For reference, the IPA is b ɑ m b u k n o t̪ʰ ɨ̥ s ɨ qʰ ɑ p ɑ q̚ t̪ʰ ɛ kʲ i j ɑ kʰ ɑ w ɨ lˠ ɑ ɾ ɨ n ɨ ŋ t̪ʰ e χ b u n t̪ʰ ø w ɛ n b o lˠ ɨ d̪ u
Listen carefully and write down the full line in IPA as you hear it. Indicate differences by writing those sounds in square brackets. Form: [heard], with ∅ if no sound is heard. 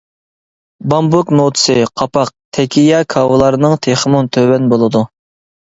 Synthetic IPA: b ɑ m b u k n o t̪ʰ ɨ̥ s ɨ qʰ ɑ p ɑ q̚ t̪ʰ ɛ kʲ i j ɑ kʰ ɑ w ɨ lˠ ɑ ɾ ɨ n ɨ ŋ t̪ʰ e χ [m] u n t̪ʰ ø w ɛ n b o lˠ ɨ d̪ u